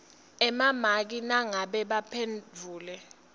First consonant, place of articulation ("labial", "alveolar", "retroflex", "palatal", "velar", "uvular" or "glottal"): labial